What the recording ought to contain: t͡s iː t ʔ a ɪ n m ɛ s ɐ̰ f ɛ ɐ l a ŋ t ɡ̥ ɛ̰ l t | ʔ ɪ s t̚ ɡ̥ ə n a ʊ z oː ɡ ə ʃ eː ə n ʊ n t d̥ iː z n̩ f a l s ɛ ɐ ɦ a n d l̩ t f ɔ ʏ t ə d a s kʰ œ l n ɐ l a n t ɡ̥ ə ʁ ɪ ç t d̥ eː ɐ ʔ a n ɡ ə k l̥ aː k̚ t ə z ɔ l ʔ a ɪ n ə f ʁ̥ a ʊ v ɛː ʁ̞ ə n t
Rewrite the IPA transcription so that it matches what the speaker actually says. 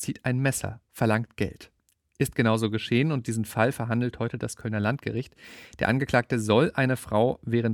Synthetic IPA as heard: t͡s iː t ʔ a ɪ n m ɛ s ɐ̰ f ɛ ɐ l a ŋ t ɡ̥ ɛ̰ l t | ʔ ɪ s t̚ ɡ̥ ə n a ʊ z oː ɡ ə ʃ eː ə n ʊ n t d̥ iː z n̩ f a l f ɛ ɐ ɦ a n d l̩ t h ɔ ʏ t ə d a s kʰ œ l n ɐ l a n t ɡ̥ ə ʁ ɪ ç t d̥ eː ɐ ʔ a n ɡ ə k l̥ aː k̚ t ə z ɔ l ʔ a ɪ n ə f ʁ̥ a ʊ v ɛː ʁ̞ ə n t